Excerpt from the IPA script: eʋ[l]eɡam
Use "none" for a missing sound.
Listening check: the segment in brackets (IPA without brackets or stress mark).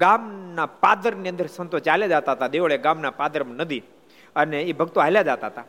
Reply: ɭ